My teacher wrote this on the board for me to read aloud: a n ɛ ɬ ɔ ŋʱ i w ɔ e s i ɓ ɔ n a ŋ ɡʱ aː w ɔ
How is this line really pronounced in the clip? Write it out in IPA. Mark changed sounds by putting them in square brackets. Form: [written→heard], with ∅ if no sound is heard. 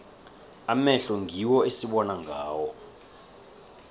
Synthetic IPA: a [n→m] ɛ ɬ ɔ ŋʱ i w ɔ e s i ɓ ɔ n a ŋ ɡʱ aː w ɔ